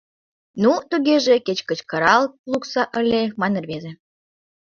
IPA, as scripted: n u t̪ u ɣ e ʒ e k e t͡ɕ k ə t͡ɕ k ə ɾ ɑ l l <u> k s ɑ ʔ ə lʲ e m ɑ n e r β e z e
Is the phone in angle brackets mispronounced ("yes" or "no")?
no